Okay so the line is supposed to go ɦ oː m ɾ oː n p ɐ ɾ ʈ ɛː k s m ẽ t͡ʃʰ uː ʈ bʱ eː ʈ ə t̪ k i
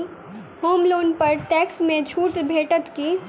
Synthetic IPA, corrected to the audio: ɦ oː m l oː n p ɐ ɾ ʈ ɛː k s m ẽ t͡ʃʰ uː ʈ bʱ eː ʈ ə t̪ k i